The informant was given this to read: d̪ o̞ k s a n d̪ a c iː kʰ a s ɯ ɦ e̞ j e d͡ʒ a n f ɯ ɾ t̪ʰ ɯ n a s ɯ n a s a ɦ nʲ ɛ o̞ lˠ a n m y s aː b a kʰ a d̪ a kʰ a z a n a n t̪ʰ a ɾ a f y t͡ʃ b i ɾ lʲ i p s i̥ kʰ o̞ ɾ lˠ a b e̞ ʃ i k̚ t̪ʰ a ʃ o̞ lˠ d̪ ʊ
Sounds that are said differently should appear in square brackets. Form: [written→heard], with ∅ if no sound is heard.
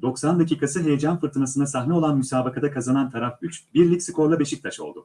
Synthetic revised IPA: d̪ o̞ k s a n d̪ a c iː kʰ a s ɯ ɦ e̞ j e d͡ʒ a n f ɯ ɾ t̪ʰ ɯ n a s ɯ n a s a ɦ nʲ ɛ o̞ lˠ a n m y s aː b a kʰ a d̪ a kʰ a z a n a n t̪ʰ a ɾ a f y t͡ʃ b i ɾ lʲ i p s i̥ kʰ o̞ ɾ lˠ a b e̞ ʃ i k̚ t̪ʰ a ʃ o̞ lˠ d̪ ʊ